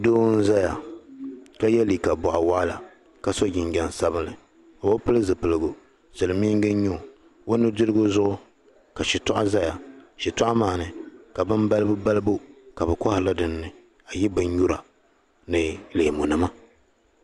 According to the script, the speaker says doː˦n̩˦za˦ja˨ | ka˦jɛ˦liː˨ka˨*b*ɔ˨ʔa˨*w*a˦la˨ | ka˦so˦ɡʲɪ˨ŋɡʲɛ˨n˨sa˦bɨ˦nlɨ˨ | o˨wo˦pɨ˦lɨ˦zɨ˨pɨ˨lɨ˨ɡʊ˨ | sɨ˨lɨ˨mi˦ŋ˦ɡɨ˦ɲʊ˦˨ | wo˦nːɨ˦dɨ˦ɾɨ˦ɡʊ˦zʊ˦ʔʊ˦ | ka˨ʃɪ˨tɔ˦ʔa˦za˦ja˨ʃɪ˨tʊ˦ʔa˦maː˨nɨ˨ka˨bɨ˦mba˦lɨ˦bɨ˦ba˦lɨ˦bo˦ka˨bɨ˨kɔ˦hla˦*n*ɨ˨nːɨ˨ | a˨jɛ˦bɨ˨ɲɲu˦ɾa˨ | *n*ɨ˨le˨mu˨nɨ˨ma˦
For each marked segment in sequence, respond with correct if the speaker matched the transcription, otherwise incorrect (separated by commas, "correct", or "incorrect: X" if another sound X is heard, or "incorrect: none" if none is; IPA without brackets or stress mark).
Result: correct, correct, incorrect: d, correct